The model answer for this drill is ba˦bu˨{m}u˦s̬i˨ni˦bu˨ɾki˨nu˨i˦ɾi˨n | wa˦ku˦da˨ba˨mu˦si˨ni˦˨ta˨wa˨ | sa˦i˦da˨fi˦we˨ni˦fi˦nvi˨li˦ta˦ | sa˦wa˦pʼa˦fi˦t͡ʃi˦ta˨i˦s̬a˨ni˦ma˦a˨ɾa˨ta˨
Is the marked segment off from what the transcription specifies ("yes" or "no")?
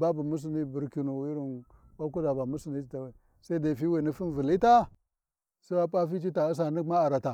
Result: no